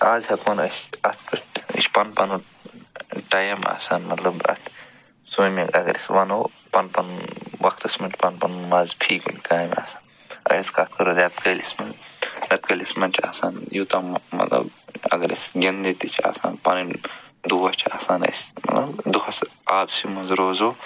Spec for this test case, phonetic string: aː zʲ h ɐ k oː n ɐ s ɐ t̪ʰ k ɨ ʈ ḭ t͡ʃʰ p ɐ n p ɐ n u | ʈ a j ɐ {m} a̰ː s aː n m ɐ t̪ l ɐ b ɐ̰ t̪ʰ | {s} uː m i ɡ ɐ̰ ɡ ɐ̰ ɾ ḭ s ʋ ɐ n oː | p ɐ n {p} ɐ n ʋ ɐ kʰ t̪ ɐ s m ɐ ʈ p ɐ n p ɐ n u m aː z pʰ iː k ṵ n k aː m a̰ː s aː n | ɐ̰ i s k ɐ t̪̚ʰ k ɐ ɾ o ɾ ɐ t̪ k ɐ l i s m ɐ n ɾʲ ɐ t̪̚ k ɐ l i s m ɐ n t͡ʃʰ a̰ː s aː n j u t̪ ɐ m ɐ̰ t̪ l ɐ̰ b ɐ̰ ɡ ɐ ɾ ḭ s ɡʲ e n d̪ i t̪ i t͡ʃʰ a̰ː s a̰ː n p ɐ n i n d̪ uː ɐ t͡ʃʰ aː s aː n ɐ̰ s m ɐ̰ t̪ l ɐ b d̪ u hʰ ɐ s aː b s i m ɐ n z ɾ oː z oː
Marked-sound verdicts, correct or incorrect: correct, correct, correct

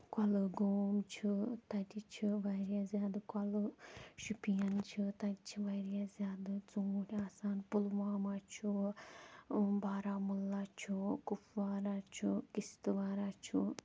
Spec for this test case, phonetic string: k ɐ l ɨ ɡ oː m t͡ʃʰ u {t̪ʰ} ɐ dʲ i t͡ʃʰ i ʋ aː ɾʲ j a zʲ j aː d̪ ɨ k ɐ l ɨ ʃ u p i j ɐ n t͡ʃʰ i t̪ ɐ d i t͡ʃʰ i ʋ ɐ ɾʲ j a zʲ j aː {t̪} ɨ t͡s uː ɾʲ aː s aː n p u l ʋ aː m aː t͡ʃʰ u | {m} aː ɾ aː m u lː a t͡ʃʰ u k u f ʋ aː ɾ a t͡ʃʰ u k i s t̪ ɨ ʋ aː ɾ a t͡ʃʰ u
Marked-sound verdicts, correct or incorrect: incorrect: t̪, incorrect: d̪, incorrect: b

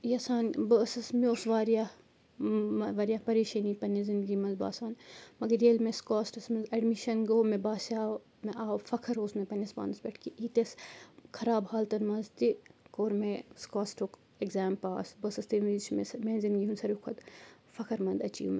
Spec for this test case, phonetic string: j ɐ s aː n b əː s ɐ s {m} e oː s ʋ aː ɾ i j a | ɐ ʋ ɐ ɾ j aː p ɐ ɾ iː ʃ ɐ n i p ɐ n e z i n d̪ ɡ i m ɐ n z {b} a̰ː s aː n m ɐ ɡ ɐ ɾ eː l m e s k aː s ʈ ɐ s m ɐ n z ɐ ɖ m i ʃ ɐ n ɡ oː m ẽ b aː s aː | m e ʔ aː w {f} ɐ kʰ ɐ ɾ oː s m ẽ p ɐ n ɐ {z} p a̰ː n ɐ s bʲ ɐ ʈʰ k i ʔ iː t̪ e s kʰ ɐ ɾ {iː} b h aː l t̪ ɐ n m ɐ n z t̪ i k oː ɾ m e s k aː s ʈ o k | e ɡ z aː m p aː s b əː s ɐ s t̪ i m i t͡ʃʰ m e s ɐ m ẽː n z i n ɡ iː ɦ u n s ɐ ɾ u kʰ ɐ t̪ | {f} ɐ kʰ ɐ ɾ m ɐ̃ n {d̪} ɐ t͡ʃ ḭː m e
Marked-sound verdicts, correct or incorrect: correct, correct, correct, incorrect: s, incorrect: aː, correct, correct

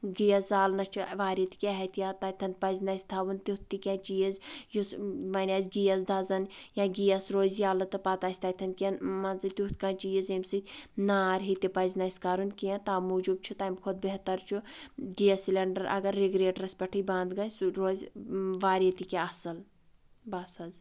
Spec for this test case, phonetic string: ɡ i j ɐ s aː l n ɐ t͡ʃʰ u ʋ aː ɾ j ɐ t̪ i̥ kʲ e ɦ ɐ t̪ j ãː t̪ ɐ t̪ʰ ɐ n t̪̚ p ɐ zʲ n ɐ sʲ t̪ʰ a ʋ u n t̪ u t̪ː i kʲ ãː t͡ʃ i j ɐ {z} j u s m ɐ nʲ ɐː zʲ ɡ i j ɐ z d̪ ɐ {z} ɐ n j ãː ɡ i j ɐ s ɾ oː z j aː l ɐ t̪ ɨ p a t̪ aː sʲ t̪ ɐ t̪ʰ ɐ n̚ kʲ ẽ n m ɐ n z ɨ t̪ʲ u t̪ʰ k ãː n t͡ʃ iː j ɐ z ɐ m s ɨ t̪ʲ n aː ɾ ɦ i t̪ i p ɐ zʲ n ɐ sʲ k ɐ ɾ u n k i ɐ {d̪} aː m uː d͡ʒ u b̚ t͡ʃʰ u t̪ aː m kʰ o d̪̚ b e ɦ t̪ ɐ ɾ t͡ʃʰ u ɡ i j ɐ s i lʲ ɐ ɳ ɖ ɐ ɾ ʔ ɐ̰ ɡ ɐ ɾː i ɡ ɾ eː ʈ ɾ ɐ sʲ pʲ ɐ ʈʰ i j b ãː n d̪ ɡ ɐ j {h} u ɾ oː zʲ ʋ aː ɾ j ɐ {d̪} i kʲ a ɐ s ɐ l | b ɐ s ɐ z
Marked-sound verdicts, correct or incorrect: correct, correct, incorrect: t̪, incorrect: s, incorrect: t̪

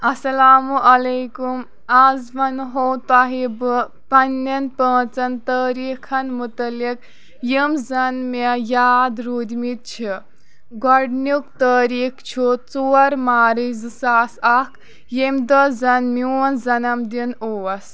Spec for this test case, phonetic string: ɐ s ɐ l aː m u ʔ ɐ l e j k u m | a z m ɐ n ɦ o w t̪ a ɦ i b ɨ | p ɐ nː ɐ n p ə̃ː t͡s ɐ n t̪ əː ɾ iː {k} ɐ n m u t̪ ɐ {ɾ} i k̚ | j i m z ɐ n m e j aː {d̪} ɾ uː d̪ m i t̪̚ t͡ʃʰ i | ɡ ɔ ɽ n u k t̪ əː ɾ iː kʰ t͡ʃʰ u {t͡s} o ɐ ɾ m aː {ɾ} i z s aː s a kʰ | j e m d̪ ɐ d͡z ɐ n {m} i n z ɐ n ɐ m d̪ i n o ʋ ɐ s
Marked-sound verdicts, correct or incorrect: incorrect: kʰ, incorrect: l, correct, correct, correct, correct

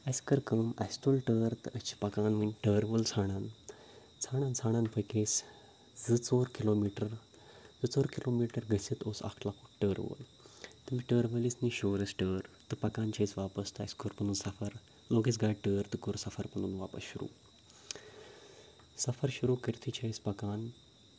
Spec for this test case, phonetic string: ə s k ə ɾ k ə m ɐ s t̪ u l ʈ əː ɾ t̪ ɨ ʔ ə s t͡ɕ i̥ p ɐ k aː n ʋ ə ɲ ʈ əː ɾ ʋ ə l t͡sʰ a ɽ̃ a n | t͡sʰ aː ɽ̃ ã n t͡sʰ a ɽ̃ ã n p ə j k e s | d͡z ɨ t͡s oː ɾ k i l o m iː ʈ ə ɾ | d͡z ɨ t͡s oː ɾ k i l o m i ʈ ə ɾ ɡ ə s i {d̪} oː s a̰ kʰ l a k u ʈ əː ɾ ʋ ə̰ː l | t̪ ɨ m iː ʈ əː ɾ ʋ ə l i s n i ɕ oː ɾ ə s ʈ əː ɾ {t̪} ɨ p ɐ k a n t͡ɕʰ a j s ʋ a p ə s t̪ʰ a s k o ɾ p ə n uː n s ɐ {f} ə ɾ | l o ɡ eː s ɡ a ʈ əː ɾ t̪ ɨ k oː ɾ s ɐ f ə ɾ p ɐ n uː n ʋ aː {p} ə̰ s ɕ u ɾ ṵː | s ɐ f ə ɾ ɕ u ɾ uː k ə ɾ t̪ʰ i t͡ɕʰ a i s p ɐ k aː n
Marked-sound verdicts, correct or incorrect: incorrect: t̪, correct, correct, correct

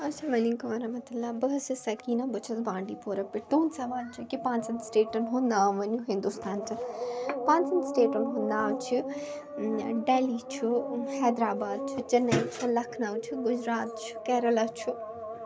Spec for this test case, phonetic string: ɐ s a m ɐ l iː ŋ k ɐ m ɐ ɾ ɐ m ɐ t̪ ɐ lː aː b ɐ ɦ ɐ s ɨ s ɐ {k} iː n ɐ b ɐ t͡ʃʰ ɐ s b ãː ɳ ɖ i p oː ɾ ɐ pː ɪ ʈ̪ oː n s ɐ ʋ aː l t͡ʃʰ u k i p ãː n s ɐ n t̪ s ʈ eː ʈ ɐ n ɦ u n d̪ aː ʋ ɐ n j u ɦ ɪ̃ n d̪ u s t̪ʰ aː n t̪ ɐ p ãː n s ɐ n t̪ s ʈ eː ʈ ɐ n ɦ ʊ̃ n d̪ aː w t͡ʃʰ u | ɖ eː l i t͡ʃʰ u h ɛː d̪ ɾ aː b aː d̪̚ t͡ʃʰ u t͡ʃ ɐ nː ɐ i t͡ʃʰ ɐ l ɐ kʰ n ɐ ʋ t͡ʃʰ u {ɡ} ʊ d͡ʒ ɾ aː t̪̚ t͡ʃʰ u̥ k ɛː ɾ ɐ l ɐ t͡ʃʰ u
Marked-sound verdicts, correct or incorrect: correct, correct

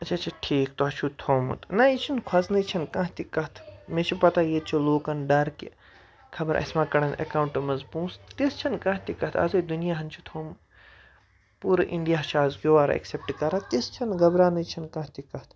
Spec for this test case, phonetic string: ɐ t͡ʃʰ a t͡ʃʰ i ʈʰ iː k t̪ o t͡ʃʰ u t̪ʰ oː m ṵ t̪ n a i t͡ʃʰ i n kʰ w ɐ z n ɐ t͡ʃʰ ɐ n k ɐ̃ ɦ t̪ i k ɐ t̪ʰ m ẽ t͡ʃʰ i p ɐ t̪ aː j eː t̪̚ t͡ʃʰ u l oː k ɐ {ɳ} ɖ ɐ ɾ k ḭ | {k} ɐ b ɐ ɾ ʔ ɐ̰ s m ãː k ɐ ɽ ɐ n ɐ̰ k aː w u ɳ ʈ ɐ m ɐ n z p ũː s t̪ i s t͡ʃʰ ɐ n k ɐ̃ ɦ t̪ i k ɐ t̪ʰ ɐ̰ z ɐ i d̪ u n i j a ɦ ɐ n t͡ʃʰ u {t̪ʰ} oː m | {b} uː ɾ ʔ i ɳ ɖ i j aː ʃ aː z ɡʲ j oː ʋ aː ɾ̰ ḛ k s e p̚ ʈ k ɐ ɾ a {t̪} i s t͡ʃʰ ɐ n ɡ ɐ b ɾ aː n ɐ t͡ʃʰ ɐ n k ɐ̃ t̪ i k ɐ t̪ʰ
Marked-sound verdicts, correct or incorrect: incorrect: n, incorrect: kʰ, correct, incorrect: p, correct

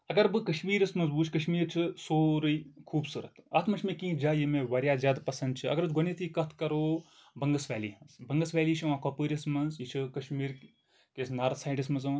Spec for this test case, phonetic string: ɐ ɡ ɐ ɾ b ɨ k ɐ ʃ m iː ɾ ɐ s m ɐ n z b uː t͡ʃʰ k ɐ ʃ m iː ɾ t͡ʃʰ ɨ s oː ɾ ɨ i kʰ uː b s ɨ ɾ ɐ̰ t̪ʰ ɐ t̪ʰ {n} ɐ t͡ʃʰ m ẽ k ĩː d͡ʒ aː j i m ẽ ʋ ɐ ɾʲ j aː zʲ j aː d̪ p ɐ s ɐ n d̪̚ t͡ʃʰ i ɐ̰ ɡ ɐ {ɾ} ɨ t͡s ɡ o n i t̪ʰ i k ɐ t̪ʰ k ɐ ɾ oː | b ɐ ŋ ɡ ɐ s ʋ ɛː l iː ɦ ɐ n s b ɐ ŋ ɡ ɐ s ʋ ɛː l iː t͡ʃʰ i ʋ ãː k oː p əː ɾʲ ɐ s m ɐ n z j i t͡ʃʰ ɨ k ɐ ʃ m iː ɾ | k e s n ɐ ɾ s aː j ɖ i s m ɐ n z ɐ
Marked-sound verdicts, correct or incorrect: incorrect: m, correct

